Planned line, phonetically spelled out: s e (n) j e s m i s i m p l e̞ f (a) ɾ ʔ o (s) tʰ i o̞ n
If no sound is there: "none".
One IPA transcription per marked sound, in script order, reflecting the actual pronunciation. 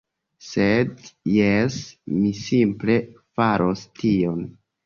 d, a, s

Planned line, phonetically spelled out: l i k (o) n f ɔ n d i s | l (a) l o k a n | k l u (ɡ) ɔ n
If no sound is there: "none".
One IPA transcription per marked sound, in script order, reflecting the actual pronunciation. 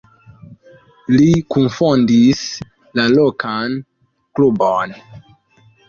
u, a, b

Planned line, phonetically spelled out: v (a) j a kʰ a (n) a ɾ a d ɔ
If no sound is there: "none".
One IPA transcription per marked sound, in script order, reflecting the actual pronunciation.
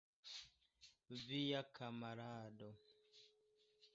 i, m

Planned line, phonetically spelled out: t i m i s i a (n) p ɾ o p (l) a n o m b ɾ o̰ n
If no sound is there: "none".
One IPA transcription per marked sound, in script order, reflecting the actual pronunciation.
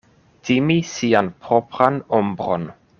n, ɾ

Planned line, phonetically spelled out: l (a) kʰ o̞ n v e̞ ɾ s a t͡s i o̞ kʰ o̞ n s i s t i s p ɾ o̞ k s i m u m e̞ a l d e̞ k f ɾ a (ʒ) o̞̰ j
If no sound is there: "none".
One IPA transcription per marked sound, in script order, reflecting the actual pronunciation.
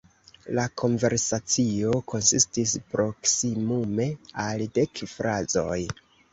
a, z

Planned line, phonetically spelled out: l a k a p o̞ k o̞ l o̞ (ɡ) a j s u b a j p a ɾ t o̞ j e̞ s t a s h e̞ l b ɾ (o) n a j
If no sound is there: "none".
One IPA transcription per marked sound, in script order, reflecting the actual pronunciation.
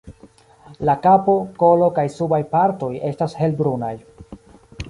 k, u

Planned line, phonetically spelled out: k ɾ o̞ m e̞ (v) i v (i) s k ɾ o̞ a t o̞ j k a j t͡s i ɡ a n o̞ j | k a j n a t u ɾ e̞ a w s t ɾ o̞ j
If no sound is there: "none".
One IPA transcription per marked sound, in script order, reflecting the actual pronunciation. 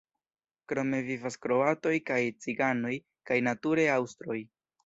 v, a

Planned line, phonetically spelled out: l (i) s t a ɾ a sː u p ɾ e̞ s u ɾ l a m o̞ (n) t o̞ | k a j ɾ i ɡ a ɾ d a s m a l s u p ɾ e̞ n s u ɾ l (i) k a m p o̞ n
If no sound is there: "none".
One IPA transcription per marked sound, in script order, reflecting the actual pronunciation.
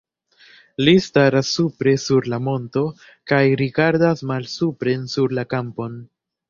i, n, a

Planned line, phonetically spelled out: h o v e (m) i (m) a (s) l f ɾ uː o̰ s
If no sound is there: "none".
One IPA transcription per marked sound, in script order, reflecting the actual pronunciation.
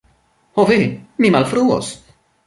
m, m, none

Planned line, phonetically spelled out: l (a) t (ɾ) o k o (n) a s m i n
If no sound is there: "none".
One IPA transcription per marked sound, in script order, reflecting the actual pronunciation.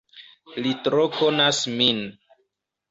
i, ɾ, n

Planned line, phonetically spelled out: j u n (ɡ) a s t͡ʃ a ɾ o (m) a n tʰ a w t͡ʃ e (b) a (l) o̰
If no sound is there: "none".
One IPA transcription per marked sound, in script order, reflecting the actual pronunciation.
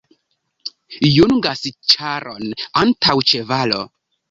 ɡ, n, v, l

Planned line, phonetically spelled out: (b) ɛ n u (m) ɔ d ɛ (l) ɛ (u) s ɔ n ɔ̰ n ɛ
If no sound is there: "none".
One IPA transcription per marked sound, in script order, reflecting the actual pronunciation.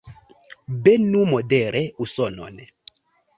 b, m, ɾ, u

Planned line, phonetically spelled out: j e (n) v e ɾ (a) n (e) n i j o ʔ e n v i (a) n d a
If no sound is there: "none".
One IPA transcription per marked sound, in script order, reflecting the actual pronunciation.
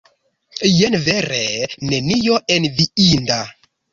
n, e, e, i

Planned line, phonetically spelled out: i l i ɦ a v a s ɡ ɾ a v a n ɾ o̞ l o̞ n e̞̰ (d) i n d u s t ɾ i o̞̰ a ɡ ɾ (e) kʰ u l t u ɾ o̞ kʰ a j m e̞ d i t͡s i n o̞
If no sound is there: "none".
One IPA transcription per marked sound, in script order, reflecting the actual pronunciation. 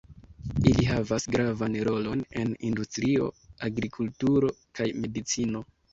n, i

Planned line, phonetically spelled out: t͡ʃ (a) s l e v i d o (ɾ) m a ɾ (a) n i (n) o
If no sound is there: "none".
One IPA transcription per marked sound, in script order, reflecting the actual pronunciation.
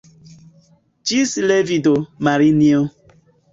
i, none, i, none

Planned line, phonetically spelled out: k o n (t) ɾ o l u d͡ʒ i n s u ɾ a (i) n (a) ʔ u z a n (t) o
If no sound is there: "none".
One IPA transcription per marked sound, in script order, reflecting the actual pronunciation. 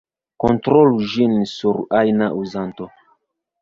t, j, a, t

